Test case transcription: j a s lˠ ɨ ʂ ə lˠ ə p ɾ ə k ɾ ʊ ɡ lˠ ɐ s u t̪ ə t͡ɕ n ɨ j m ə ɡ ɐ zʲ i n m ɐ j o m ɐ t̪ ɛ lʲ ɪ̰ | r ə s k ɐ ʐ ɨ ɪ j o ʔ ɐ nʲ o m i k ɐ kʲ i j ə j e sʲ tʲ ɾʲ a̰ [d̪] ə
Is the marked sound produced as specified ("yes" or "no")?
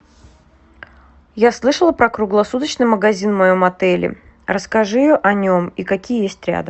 yes